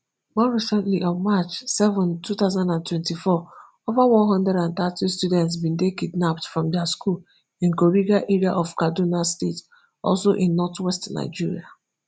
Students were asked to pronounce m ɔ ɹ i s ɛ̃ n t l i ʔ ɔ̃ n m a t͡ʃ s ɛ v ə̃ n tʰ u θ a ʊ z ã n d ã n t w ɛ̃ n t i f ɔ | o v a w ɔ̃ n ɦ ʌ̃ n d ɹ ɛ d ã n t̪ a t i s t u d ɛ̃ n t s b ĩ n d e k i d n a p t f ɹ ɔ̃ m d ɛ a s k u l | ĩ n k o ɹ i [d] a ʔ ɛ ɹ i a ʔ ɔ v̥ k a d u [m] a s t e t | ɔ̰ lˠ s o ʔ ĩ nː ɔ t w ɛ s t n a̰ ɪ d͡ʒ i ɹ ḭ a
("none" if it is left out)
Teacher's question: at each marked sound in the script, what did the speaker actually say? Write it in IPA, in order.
ɡ, n

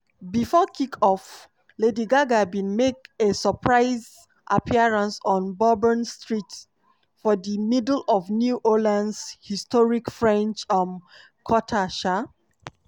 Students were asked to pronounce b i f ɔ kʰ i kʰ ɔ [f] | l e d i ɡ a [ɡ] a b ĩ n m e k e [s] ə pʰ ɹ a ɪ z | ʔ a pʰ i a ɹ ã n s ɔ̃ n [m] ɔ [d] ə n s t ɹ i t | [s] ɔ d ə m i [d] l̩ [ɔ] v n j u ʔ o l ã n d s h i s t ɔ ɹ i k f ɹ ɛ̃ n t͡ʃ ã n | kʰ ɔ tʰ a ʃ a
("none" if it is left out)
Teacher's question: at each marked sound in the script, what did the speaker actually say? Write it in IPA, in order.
f, ɡ, s, b, b, f, d, ɔ

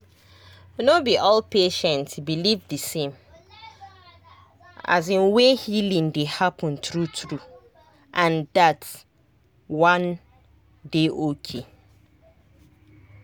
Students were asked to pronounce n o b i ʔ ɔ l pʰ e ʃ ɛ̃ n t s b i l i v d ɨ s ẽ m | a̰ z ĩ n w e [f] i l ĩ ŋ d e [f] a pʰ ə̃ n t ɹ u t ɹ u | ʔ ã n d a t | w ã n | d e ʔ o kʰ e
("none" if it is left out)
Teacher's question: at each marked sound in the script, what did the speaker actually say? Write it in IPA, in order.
h, h

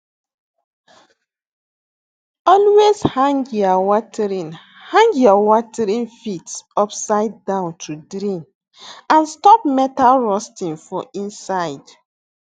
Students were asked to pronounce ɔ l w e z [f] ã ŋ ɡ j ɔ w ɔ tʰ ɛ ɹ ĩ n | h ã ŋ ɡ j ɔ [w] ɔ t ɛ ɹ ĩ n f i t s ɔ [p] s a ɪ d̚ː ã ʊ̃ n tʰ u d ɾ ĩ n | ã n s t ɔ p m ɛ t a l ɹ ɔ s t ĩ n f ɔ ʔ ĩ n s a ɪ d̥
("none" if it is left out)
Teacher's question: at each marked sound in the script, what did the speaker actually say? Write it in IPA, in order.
h, w, p

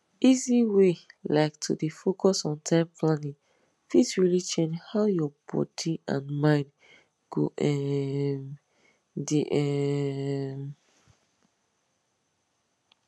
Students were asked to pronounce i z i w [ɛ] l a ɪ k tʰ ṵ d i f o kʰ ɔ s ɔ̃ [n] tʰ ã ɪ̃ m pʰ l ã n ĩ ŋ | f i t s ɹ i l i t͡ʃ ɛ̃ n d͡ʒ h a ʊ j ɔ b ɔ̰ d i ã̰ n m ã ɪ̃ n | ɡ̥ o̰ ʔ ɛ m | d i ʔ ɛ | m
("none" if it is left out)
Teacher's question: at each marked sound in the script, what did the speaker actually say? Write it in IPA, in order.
e, n

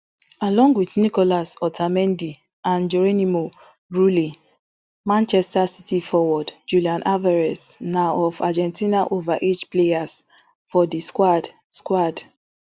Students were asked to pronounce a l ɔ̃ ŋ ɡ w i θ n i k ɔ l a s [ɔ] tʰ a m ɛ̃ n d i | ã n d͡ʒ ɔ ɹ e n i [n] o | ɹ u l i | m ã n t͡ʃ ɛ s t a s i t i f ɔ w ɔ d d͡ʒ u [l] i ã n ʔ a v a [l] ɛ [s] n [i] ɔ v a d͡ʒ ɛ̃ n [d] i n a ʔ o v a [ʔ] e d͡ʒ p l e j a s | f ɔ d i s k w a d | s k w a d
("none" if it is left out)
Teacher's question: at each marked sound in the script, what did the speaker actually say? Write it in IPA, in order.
ɔ, m, l, ɹ, s, a, t, ʔ

